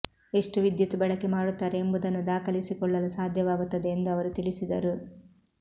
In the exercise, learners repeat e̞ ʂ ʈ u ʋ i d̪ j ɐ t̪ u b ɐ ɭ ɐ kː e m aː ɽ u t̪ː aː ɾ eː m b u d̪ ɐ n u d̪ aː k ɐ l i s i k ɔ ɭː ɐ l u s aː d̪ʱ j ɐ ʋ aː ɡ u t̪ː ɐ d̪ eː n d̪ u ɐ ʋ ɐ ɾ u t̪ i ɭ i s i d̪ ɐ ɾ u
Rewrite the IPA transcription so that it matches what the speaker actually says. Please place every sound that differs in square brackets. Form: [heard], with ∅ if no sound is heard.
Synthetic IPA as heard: e̞ ʂ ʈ u ʋ i d̪ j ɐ t̪ u b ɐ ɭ ɐ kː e m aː ɽ u t̪ː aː ɾ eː m b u d̪ ɐ [nː] u d̪ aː k ɐ l i s i k ɔ ɭː ɐ l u s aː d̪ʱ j ɐ ʋ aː ɡ u t̪ː ɐ d̪ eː n d̪ u ɐ ʋ ɐ ɾ u t̪ i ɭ i s i d̪ ɐ ɾ u